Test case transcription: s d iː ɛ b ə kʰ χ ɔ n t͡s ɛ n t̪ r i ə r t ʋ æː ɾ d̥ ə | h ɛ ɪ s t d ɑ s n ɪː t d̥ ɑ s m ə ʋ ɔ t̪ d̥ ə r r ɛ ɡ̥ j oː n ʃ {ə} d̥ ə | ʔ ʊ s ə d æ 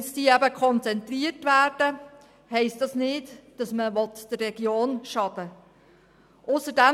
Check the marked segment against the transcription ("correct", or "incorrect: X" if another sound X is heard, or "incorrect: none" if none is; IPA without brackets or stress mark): incorrect: ɑ